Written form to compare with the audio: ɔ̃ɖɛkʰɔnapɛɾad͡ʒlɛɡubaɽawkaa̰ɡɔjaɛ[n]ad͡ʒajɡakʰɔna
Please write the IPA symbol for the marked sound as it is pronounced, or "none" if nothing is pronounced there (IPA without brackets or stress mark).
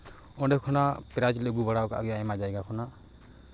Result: m